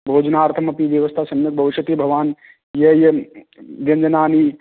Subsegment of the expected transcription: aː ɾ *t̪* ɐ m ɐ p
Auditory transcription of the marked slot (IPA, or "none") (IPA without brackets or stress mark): t̪ʰ